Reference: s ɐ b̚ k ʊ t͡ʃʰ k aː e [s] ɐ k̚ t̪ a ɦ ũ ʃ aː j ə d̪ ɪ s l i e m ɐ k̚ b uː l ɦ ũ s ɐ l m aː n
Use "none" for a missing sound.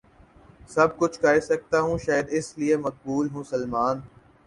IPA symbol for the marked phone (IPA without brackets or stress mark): s